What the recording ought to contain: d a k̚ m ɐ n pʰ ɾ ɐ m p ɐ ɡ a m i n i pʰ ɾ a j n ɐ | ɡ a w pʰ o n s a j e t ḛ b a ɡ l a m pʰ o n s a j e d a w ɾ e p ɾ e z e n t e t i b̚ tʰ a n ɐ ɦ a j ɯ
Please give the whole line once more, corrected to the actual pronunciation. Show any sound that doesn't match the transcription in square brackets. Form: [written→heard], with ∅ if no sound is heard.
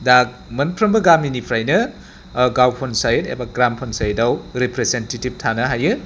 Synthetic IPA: d a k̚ m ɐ n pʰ ɾ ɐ m [p→b] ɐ ɡ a m i n i pʰ ɾ a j n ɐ | ɡ a w pʰ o n s a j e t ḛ b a ɡ [l→ɾ] a m pʰ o n s a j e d a w ɾ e p ɾ e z e n t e t i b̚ tʰ a n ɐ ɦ a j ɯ